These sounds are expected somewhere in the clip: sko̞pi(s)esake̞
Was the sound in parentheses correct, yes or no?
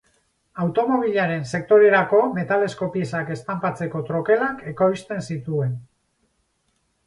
no